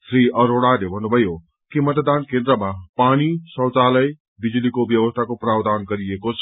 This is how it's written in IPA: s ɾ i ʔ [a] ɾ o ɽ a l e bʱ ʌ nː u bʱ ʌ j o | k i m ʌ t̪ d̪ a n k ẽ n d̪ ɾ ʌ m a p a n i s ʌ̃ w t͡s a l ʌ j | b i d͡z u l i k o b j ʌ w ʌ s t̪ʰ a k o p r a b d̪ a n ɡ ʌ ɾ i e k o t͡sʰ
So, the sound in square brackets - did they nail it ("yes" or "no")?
no